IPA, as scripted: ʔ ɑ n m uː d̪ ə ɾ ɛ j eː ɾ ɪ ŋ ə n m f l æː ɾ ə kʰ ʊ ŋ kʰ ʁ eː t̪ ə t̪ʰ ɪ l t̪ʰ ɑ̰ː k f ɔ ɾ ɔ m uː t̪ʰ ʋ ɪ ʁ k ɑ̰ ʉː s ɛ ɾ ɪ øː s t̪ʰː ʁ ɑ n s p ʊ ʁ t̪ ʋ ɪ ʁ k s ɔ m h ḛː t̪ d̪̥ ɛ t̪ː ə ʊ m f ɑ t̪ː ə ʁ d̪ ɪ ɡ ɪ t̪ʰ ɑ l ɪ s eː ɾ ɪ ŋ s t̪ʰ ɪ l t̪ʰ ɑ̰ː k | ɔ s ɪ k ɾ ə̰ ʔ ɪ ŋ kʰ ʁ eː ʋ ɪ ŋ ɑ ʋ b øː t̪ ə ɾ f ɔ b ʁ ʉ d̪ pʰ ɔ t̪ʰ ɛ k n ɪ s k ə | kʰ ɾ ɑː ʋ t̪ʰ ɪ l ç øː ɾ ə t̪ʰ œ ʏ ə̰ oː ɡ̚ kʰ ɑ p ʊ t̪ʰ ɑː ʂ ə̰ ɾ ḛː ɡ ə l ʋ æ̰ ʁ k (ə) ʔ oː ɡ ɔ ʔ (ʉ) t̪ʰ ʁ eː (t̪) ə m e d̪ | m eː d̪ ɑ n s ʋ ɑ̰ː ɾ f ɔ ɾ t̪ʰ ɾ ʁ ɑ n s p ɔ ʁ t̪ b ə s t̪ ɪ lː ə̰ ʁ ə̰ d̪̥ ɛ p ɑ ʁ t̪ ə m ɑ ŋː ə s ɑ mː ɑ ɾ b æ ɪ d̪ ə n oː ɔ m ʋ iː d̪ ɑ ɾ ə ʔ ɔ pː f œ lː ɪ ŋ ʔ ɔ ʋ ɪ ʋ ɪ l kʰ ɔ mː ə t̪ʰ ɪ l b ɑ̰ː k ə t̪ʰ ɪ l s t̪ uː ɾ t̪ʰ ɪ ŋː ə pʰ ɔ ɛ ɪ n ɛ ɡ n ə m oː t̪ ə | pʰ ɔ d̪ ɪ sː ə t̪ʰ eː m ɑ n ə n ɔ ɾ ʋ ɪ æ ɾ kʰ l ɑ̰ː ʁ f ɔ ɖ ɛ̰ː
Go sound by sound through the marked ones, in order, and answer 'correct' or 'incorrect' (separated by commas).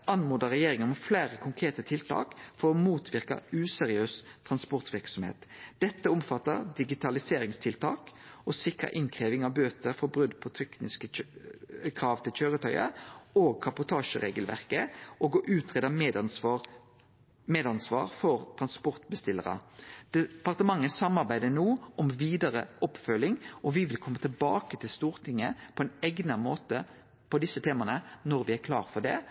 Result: correct, incorrect, incorrect